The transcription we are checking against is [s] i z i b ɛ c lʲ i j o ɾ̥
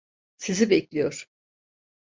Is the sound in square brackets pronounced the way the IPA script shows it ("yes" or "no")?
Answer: yes